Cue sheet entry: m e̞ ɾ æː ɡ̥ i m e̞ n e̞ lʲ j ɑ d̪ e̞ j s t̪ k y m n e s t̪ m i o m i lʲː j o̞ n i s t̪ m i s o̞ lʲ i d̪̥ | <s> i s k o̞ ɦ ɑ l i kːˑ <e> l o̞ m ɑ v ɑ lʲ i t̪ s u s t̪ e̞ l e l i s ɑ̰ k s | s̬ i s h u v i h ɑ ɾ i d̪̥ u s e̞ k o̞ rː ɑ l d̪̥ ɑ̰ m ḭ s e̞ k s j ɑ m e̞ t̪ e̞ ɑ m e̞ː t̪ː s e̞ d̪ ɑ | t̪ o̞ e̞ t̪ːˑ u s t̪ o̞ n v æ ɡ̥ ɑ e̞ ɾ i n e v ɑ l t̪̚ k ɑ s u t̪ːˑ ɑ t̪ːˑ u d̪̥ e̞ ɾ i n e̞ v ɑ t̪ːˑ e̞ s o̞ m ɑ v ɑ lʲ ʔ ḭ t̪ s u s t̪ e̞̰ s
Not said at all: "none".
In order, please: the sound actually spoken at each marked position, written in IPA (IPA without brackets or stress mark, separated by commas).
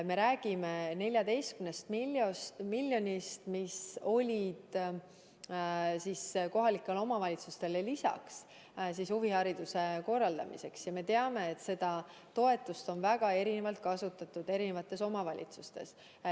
s, e